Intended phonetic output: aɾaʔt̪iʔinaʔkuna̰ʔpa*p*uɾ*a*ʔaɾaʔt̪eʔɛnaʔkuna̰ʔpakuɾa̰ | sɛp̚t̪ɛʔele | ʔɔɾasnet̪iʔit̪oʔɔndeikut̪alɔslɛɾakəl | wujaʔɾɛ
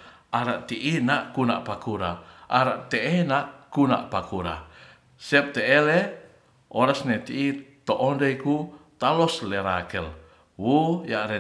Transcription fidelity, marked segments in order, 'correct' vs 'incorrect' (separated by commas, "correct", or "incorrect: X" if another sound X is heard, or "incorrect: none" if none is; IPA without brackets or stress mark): incorrect: k, correct